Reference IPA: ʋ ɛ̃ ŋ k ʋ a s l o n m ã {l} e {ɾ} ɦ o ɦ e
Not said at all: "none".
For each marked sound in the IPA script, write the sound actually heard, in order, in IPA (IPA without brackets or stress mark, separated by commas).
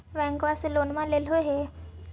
l, l